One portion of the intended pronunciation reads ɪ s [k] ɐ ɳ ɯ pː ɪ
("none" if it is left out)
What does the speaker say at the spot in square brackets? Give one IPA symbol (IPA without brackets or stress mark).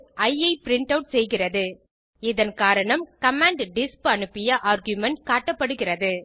p